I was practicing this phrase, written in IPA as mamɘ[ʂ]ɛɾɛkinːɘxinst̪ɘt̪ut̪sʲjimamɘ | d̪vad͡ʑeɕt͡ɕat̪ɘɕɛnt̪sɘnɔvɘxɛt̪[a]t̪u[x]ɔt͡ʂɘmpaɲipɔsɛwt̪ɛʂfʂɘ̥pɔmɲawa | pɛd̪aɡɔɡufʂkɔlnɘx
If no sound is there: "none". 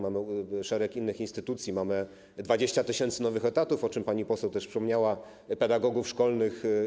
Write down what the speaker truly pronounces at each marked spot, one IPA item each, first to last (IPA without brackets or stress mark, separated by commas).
ʂ, a, f